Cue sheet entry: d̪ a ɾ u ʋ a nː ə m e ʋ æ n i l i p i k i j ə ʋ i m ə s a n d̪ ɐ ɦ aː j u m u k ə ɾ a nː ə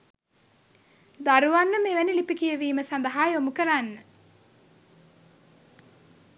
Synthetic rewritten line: d̪ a ɾ u ʋ a nː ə m e ʋ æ n i l i p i k i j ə ʋ iː m ə s a n d̪ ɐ ɦ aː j o m u k ə ɾ a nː ə

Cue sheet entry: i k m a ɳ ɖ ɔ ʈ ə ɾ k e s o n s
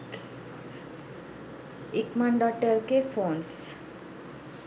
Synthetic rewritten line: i k m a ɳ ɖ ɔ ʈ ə ɾ k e f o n s

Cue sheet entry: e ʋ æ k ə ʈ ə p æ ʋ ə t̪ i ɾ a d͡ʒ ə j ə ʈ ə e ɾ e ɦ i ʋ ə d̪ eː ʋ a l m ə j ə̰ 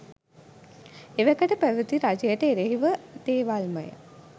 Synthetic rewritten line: e ʋ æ k ə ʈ ə p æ ʋ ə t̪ i ɾ a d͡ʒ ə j ə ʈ ə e ɾ e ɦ i ʋ ə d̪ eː ʋ a l m ə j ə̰

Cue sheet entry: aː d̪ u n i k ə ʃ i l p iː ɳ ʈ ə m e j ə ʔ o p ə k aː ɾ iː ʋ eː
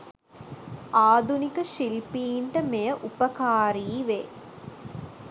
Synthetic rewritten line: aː d̪ u n i k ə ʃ i l p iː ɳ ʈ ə m e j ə ʔ u p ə k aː ɾ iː ʋ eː

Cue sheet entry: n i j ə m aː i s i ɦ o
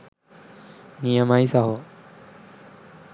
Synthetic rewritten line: n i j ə m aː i s a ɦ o

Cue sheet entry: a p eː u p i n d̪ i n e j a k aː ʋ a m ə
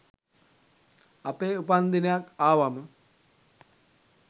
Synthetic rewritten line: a p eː u p a n d̪ i n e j a k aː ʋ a m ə

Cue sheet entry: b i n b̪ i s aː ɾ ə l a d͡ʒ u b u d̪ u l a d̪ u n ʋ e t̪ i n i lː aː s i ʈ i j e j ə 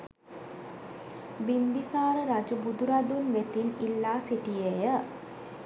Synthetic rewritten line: b i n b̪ i s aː ɾ ə ɾ a d͡ʒ u b u d̪ u ɾ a d̪ u n ʋ e t̪ i n i lː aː s i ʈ i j e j ə

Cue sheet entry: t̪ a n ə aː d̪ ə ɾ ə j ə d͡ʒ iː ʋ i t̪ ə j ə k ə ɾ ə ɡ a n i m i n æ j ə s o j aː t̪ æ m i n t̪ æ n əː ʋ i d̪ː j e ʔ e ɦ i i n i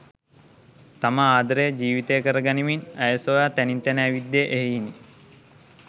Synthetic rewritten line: t̪ a m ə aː d̪ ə ɾ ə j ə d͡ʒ iː ʋ i t̪ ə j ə k ə ɾ ə ɡ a n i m i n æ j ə s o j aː t̪ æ n i n t̪ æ n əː ʋ i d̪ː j e ʔ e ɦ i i n i

